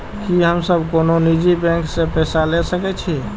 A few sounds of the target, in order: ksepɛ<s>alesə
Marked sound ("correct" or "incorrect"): correct